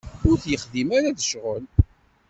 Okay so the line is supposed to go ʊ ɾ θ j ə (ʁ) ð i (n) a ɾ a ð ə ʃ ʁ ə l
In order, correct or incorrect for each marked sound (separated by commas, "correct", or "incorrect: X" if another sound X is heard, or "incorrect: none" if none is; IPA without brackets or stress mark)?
incorrect: χ, incorrect: m